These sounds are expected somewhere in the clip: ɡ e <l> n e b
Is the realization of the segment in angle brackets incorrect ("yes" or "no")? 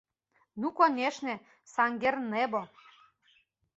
yes